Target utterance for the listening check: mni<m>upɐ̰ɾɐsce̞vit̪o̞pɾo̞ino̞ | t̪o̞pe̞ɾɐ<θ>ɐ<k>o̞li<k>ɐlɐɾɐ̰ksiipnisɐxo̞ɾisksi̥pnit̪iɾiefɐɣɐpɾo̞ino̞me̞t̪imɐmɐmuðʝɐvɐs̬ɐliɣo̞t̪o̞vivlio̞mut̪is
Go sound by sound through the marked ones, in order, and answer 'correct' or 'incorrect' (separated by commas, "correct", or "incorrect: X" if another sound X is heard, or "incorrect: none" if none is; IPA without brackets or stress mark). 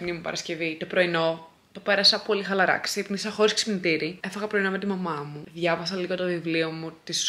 correct, incorrect: s, incorrect: p, incorrect: x